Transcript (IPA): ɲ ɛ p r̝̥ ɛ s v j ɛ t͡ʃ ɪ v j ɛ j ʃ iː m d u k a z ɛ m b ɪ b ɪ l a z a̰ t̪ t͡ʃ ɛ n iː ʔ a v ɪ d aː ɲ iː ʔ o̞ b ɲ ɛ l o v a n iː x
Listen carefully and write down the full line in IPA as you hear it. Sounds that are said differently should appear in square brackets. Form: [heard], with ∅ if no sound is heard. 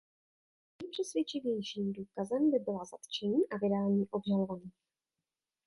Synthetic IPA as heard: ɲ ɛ p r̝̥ ɛ s v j ɛ t͡ʃ ɪ v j ɛ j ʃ iː m d [uː] k a z ɛ m b ɪ b ɪ l a z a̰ t̪ t͡ʃ ɛ [ɲ] iː ʔ a v ɪ d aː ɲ iː ʔ o̞ b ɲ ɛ l o v a n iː x